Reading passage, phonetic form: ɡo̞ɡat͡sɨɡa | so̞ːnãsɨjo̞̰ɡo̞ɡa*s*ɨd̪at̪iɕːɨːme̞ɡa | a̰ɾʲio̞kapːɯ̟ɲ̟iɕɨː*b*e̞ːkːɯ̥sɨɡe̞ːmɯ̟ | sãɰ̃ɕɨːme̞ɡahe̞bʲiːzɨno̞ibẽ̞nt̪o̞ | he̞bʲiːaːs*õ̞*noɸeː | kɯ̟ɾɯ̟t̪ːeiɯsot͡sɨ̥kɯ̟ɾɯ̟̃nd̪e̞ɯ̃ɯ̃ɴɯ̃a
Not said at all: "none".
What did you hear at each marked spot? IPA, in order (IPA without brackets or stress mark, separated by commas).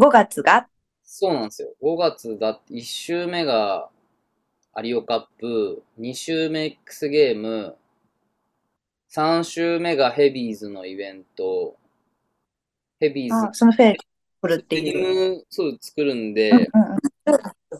t͡s, m, o̞